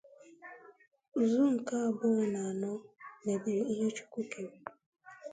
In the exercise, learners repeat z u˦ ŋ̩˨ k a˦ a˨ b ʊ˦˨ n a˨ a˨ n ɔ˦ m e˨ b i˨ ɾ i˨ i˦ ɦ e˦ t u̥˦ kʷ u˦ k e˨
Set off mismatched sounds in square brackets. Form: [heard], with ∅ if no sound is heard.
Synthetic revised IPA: z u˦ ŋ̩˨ k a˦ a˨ b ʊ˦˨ n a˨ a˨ n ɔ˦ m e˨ b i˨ ɾ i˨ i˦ ɦ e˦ [t͡ʃ] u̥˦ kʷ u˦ k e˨